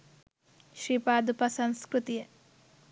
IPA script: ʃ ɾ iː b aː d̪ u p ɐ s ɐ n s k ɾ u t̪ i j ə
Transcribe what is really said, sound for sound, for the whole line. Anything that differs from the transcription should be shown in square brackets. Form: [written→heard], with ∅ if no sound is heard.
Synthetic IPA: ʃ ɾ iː [b→p] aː d̪ u p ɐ s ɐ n s k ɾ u t̪ i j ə